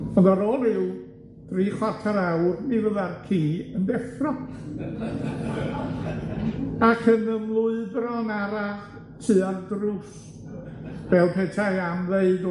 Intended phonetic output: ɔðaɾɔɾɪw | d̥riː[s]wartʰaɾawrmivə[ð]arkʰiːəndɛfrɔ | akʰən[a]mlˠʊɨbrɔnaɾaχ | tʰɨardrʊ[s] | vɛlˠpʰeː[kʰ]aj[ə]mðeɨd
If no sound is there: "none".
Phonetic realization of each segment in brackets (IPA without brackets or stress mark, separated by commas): χ, ð, ə, s, tʰ, a